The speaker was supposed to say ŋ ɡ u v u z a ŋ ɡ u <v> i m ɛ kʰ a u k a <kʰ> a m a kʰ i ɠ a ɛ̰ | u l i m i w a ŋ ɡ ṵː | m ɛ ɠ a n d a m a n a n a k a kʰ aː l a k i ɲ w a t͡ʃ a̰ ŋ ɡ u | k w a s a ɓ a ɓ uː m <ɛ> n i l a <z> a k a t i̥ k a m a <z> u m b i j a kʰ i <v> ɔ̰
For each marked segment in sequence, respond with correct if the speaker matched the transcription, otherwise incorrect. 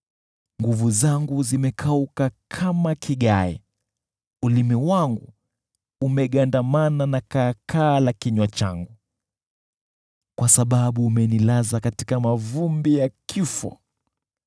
incorrect: z, correct, correct, correct, incorrect: v, incorrect: f

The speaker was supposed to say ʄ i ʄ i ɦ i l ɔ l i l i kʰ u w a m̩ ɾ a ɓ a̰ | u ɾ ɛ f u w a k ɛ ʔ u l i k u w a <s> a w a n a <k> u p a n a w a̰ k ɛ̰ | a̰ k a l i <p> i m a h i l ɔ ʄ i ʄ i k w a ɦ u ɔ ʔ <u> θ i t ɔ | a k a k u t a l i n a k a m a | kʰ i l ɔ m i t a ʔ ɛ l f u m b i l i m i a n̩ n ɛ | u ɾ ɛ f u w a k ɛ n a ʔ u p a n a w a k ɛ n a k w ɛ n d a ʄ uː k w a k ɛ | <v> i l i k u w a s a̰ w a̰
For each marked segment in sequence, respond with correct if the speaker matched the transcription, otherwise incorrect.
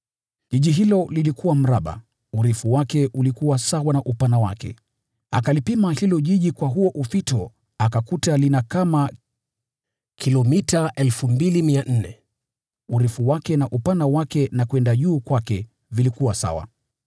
correct, incorrect: ʔ, correct, correct, correct

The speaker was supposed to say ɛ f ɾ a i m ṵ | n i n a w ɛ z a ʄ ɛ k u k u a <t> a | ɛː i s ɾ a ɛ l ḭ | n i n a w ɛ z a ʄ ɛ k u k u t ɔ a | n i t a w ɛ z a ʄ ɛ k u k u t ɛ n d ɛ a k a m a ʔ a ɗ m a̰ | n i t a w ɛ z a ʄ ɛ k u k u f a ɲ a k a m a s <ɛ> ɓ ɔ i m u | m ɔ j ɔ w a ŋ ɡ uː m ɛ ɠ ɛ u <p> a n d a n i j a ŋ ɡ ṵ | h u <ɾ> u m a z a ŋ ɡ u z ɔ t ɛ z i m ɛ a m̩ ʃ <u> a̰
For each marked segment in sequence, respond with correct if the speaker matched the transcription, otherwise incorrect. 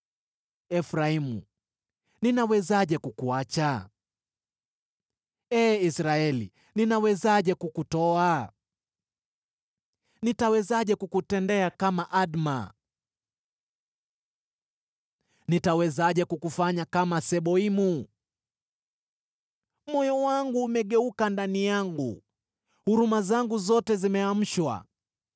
incorrect: t͡ʃ, correct, incorrect: k, correct, incorrect: w

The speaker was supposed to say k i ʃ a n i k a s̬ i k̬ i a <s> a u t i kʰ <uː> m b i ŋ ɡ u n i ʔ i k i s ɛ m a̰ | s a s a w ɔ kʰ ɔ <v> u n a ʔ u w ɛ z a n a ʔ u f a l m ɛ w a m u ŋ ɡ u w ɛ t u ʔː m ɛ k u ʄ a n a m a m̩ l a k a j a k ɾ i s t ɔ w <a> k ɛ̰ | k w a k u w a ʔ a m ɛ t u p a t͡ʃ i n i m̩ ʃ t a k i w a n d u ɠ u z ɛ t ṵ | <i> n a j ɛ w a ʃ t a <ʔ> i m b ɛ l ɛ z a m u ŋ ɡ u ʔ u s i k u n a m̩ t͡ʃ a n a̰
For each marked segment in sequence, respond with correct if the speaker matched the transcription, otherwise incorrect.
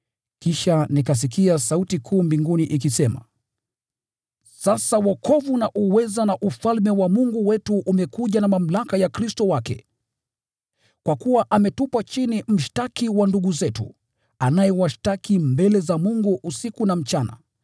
correct, correct, correct, correct, incorrect: a, incorrect: k

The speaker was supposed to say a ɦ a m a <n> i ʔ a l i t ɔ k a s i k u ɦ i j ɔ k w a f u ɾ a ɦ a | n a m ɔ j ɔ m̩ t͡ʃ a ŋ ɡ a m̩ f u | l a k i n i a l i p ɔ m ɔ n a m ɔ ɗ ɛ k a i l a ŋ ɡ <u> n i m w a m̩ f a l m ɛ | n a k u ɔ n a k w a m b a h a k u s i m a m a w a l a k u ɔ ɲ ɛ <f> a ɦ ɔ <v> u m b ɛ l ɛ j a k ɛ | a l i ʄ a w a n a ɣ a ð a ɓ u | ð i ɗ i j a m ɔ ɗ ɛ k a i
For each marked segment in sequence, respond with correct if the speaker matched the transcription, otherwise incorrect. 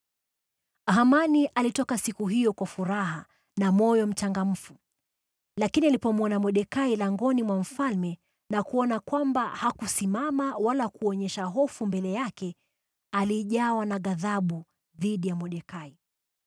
correct, incorrect: ɔ, incorrect: ʃ, incorrect: f

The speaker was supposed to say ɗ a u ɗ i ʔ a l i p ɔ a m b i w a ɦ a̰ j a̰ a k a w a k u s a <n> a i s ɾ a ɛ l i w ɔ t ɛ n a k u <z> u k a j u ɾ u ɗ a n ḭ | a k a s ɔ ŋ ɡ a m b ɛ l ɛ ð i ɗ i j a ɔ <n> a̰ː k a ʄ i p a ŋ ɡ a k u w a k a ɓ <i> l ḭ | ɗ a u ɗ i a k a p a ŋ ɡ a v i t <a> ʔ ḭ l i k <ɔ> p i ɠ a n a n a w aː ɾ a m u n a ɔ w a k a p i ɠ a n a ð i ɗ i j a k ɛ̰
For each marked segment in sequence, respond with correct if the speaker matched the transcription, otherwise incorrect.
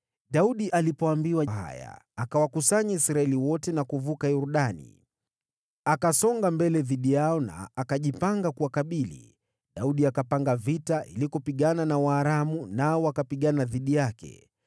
incorrect: ɲ, incorrect: v, correct, correct, correct, correct

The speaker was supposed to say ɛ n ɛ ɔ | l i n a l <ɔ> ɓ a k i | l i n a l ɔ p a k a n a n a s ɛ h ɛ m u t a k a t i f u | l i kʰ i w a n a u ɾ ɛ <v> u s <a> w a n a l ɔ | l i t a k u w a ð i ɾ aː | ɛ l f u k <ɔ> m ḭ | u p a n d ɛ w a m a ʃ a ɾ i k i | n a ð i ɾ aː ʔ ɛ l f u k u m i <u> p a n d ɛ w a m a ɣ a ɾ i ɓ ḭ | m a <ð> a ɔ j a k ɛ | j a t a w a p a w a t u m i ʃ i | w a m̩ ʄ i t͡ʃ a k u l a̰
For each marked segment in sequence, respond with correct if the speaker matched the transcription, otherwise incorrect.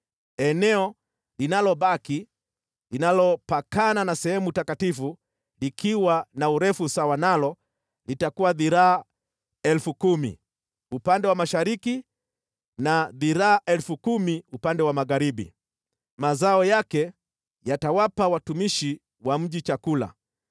correct, incorrect: f, correct, incorrect: u, correct, incorrect: z

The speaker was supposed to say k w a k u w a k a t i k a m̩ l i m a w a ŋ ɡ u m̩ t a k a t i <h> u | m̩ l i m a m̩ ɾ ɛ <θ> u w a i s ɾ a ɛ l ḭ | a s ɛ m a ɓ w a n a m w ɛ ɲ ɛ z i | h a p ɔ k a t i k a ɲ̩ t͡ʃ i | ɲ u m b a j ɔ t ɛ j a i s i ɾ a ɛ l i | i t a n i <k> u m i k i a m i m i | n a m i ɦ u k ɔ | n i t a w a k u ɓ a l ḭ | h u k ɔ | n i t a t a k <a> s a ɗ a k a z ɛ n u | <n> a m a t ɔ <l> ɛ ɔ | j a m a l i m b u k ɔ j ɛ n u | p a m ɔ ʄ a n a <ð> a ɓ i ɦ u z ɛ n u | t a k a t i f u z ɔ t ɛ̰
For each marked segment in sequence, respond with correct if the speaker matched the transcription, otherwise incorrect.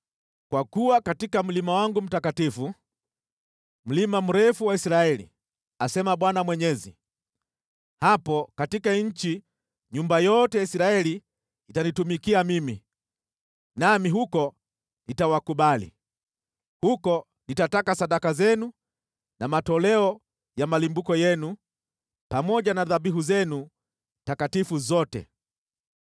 incorrect: f, incorrect: f, incorrect: t, correct, correct, correct, correct

